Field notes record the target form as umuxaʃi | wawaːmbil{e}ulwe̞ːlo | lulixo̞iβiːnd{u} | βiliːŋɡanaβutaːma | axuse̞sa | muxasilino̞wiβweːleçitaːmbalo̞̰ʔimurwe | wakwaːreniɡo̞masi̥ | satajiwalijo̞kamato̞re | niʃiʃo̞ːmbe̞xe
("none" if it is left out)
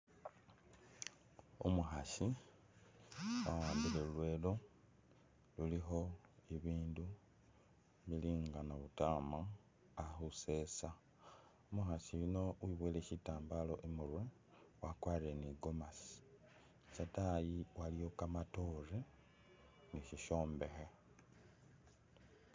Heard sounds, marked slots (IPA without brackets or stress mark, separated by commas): e, u